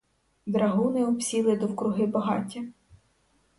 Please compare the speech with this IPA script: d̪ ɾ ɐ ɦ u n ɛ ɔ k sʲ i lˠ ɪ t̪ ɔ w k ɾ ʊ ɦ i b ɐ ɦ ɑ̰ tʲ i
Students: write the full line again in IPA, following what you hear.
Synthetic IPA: d̪ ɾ ɐ ɦ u n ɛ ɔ p sʲ i lˠ ɪ d̪ ɔ w k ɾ ʊ ɦ ɪ b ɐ ɦ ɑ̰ tʲ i